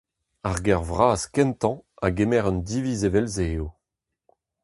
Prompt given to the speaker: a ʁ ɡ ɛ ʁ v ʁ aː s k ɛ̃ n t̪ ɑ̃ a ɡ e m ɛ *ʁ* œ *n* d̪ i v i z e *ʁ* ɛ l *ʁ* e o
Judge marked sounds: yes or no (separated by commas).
yes, yes, no, no